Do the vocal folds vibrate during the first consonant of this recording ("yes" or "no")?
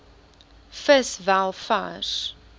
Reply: no